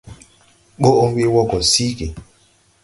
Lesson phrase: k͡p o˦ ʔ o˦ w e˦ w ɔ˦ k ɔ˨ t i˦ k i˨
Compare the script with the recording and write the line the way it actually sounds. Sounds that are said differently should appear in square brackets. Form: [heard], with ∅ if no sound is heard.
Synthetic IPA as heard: k͡p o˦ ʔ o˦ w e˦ w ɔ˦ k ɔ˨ [s] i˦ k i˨